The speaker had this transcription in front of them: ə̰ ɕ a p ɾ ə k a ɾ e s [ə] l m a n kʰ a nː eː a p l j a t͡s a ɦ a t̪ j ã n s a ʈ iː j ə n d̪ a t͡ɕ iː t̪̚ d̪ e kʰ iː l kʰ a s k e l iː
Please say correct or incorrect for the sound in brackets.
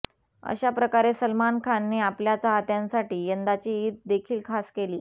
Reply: correct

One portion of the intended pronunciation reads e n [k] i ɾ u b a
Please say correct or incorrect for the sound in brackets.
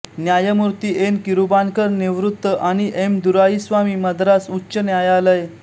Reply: correct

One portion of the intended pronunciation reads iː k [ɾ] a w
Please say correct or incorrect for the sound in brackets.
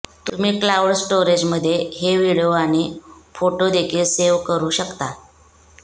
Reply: incorrect: l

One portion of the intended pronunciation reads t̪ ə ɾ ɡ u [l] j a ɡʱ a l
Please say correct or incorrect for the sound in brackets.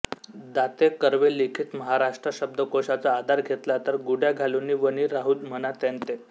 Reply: incorrect: ɽ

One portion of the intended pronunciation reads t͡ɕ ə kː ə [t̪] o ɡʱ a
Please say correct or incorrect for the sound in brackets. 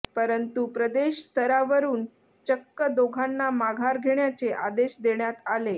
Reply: incorrect: d̪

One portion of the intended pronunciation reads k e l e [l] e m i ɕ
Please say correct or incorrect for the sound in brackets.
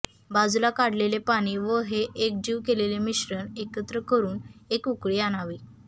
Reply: correct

